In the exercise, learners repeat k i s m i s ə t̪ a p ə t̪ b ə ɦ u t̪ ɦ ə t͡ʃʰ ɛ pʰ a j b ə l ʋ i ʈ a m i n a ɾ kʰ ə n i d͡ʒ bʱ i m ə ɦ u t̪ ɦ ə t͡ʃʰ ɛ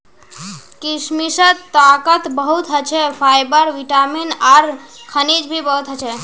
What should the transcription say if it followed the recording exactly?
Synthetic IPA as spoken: k i s m i s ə t̪ a k ə t̪ b ə ɦ u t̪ ɦ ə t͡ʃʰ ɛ pʰ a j b ə ɾ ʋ i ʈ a m i n a ɾ kʰ ə n i d͡ʒ bʱ i b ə ɦ u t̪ ɦ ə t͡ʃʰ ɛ